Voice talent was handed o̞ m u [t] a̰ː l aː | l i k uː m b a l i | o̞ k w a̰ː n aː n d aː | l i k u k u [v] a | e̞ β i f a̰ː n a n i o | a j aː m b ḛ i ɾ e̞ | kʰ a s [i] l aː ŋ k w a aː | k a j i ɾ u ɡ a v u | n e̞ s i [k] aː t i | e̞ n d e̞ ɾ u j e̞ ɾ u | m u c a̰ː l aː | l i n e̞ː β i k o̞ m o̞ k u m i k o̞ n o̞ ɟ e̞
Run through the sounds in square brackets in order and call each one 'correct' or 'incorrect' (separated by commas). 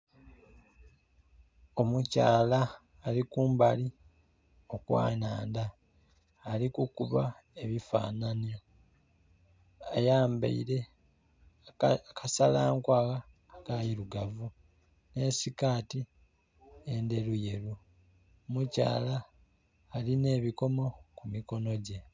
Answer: incorrect, incorrect, incorrect, correct